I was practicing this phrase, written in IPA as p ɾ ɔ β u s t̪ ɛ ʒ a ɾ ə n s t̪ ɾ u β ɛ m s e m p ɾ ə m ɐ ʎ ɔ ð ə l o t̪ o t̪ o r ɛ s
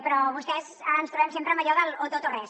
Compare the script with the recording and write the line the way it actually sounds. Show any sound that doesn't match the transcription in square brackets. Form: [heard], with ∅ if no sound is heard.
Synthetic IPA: p ɾ ɔ β u s t̪ ɛ [z] a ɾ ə n s t̪ ɾ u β ɛ m s e m p ɾ ə m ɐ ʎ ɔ ð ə l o t̪ o t̪ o r ɛ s

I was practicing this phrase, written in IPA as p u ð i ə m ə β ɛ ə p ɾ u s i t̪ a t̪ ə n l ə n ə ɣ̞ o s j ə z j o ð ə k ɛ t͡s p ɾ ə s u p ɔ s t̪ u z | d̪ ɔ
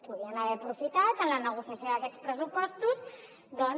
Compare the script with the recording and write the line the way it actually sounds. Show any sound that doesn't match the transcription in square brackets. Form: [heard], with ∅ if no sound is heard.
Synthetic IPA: p u ð i ə [n] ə β ɛ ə p ɾ u [f] i t̪ a t̪ ə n l ə n ə ɣ̞ [u] s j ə [s] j o ð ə k ɛ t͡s p ɾ ə s u p ɔ s t̪ u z | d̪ ɔ

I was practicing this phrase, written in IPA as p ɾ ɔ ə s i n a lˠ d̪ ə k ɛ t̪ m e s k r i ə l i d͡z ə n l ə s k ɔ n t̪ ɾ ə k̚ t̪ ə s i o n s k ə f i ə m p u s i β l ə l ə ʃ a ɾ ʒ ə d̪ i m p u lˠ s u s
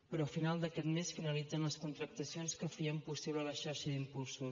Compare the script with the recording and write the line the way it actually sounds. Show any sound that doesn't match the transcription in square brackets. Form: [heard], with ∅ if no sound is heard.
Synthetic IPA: p ɾ ɔ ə [f] i n a lˠ d̪ ə k ɛ t̪ m e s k r [e] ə l i d͡z ə n l ə s k [u] n t̪ ɾ ə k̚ t̪ ə s i o n s k ə f i ə m p u s i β l ə l ə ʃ a ɾ [ʃ] ə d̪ i m p u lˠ s u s

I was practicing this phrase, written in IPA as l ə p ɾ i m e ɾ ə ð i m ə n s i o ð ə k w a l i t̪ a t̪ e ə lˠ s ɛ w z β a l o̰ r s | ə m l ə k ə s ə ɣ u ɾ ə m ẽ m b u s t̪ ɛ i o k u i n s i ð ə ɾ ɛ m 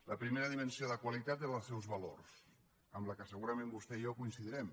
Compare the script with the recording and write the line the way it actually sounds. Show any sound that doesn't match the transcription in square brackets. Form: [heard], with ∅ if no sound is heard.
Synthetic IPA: l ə p ɾ i m e ɾ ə ð i m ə n s i o ð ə k w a l i t̪ a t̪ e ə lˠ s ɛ w z β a l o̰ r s | ə m l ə k ə s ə ɣ u ɾ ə m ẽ m b u s t̪ ɛ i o k u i n s i ð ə ɾ ɛ m

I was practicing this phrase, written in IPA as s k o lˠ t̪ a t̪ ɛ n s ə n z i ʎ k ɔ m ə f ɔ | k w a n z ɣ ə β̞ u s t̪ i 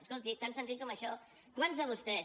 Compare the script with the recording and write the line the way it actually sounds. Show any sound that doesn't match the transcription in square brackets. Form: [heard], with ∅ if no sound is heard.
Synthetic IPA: s k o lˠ t̪ [i] t̪ [a] n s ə n z i ʎ k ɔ m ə [ʃ] ɔ | k w a n z [ð] ə β̞ u s t̪ [ɛ]

